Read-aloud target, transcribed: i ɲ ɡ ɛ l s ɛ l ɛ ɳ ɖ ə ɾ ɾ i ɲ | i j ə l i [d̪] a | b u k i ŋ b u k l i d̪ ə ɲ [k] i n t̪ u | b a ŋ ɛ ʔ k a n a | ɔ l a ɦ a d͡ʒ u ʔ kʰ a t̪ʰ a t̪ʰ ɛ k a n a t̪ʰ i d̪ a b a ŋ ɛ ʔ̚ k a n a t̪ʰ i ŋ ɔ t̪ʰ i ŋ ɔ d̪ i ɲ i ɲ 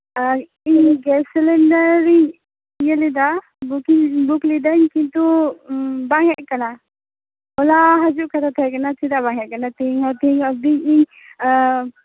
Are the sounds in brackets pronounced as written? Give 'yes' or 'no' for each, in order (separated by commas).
yes, yes